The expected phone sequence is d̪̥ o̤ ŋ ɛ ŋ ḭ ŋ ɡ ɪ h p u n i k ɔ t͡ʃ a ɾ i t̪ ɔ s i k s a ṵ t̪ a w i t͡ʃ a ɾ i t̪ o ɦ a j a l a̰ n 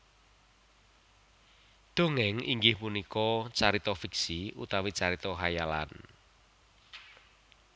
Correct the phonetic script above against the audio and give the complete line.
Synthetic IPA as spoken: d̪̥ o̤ ŋ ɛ ŋ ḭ ŋ ɡ ɪ h p u n i k ɔ t͡ʃ a ɾ i t̪ ɔ f i k s i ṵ t̪ a w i t͡ʃ a ɾ i t̪ ɔ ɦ a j a l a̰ n